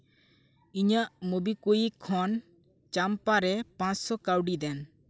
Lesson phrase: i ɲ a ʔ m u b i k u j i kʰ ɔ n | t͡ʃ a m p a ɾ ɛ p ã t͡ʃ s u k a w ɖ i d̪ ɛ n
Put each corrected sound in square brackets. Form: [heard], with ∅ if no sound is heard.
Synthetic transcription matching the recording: i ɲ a ʔ m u b i k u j i kʰ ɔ n | t͡ʃ a m p a ɾ ɛ p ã t͡ʃ s [ɔ] k a w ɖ i d̪ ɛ n